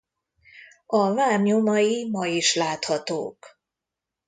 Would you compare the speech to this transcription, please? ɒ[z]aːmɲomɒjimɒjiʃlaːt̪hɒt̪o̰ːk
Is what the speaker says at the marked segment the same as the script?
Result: no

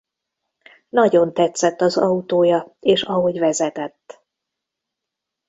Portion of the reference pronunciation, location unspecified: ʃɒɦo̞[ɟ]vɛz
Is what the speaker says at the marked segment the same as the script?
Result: yes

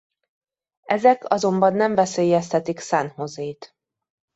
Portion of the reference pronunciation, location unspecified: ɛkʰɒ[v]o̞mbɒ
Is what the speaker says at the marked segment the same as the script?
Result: no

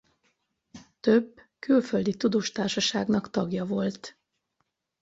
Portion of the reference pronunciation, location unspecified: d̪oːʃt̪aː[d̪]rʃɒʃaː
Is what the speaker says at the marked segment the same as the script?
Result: no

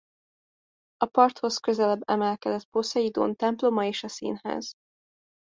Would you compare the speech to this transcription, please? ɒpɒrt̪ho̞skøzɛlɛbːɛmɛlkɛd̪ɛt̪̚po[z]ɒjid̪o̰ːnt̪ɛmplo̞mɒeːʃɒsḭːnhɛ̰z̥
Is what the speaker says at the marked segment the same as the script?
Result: no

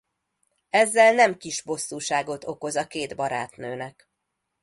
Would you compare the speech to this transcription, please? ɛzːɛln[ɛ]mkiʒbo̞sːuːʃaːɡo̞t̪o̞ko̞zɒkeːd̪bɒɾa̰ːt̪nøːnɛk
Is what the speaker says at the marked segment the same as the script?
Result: yes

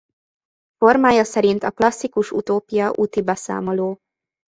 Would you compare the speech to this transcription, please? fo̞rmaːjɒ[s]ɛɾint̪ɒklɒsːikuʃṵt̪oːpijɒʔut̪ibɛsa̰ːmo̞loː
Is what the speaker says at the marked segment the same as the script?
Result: yes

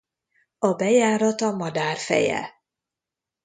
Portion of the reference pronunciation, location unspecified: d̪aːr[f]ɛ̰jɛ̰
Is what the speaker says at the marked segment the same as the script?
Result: yes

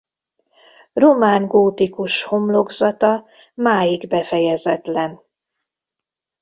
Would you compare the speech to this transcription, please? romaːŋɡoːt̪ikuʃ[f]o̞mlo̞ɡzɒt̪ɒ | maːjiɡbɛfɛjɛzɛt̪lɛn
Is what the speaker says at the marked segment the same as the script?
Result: no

